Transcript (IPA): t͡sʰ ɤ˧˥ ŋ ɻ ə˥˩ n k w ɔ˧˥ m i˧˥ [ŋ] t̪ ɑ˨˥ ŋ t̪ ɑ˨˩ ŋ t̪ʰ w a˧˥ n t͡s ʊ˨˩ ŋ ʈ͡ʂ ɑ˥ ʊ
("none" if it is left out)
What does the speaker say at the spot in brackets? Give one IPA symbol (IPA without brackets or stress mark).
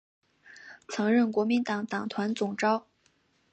n